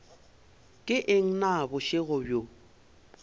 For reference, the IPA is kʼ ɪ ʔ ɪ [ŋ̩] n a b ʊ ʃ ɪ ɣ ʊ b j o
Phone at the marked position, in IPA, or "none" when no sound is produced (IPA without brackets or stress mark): ŋ̩